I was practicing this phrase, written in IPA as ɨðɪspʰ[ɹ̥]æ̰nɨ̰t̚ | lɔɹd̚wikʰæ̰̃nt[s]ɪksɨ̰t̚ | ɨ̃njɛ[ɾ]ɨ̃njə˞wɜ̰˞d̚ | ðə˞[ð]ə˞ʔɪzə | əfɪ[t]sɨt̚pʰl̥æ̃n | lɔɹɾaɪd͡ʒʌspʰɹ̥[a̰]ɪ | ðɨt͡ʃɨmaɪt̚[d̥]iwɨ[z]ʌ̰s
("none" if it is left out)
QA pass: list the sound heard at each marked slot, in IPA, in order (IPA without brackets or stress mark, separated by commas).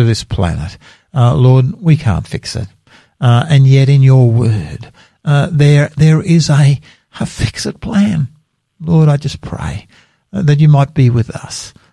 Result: l̥, f, ɾ, ð, k, ḛ, b̥, ð